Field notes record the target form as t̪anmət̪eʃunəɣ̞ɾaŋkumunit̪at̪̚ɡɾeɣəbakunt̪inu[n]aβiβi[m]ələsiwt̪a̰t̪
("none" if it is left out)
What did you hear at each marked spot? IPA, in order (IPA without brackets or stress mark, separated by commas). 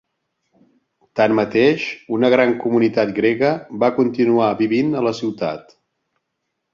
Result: none, n